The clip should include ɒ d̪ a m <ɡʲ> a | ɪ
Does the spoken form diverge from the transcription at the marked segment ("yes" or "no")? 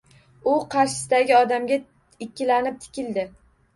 no